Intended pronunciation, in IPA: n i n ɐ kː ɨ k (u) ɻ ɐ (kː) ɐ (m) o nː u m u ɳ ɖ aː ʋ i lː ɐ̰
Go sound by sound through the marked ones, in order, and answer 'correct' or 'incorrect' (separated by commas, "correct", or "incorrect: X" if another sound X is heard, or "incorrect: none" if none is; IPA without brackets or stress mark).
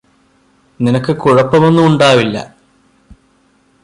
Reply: correct, incorrect: pː, correct